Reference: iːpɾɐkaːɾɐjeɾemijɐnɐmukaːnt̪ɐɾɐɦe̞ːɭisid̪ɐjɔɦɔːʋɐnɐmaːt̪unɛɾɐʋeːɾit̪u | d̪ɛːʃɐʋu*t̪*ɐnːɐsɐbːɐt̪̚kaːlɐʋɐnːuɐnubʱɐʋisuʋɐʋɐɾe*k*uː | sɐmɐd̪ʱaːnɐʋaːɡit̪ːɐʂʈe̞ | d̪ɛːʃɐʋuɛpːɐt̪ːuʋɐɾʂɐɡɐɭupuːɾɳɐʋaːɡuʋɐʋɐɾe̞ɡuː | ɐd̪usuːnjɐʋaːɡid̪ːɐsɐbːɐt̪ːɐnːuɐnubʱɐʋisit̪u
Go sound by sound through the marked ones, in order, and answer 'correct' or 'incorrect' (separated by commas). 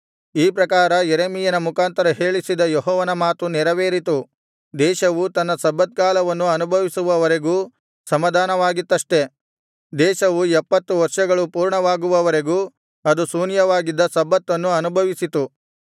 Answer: correct, incorrect